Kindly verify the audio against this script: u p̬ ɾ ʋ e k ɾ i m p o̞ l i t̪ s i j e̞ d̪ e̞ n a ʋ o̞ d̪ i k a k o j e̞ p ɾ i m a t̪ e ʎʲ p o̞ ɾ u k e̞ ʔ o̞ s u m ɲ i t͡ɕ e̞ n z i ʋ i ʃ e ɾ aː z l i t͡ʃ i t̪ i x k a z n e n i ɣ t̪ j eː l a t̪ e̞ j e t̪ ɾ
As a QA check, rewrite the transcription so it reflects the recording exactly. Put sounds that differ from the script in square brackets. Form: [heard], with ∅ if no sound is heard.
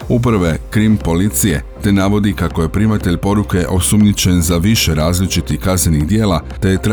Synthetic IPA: u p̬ ɾ ʋ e k ɾ i m p o̞ l i t̪ s i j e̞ [t̪] e̞ n a ʋ o̞ d̪ i k a k o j e̞ p ɾ i m a t̪ e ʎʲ p o̞ ɾ u k e̞ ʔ o̞ s u m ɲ i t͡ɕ e̞ n z [a] ʋ i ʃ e ɾ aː z l i t͡ʃ i t̪ i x k a z n e n i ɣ [d̪] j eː l a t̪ e̞ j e t̪ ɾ